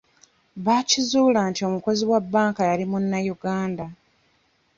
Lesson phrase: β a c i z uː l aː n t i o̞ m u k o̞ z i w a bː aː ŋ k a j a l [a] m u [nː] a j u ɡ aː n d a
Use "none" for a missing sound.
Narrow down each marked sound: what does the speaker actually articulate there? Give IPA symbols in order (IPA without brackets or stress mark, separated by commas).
i, nː